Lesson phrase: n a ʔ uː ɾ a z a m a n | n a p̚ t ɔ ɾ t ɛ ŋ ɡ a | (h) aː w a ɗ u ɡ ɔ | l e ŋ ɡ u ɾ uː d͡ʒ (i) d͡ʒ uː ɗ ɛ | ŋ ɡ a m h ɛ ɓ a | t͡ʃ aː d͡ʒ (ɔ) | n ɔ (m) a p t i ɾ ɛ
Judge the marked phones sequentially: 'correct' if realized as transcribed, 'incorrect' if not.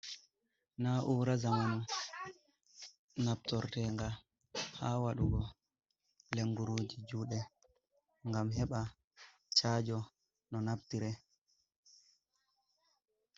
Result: correct, correct, correct, incorrect

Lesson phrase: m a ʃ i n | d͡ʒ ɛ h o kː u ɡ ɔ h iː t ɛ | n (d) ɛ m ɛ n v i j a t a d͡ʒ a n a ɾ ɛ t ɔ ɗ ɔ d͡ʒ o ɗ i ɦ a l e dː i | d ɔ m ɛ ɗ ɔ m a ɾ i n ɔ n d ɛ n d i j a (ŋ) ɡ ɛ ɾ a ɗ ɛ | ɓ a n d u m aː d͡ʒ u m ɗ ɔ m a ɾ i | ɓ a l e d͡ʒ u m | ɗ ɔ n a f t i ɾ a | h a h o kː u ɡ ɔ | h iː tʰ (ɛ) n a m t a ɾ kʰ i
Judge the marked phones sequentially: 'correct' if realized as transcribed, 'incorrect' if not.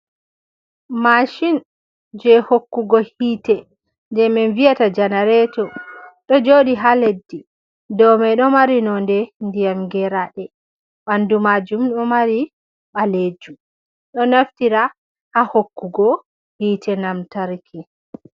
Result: correct, incorrect, correct

